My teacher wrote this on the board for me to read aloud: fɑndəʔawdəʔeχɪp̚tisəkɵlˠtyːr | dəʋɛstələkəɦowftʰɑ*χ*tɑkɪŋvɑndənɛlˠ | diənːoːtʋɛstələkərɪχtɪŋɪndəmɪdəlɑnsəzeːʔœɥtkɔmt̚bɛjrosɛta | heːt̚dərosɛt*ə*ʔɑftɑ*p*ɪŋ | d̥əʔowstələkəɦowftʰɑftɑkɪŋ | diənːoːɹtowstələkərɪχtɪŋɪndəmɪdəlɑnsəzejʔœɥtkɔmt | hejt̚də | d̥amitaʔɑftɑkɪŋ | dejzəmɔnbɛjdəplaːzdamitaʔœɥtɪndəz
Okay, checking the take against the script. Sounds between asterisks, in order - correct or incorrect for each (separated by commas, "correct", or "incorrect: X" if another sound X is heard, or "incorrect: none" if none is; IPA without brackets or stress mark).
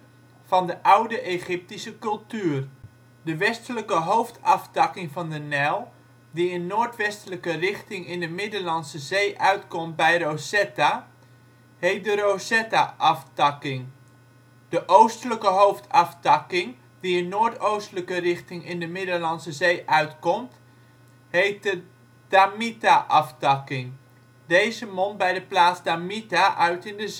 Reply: incorrect: f, incorrect: a, incorrect: k